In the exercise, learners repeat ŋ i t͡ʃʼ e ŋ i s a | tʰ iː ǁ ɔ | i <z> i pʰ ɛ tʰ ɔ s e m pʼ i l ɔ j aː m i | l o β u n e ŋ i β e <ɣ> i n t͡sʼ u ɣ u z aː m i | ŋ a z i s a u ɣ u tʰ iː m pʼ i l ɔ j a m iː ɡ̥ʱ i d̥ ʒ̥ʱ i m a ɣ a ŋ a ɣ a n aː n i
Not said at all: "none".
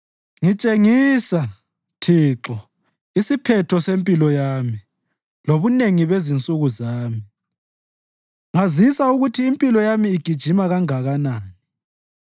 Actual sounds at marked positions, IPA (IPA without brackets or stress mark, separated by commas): s, z